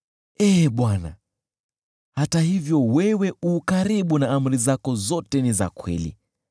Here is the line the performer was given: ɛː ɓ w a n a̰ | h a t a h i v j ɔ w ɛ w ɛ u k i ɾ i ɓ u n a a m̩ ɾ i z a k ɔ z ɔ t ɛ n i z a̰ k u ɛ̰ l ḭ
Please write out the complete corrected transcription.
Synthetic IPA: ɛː ɓ w a n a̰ | h a t a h i v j ɔ w ɛ w ɛ u k a ɾ i ɓ u n a a m̩ ɾ i z a k ɔ z ɔ t ɛ n i z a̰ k w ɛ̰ l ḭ